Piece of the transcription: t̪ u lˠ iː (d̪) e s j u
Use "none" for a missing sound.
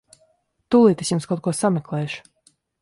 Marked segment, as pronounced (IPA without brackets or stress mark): t̪